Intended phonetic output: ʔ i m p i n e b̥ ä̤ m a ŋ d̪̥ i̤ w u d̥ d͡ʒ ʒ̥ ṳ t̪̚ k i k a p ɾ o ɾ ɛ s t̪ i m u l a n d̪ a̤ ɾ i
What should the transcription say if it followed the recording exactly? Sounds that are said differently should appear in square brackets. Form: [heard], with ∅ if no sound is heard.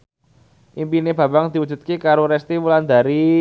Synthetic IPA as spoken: ʔ i m p i n e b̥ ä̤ [b] a ŋ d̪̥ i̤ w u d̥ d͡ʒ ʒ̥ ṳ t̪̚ k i k a [∅] ɾ o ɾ ɛ s t̪ i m u l a n d̪ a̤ ɾ i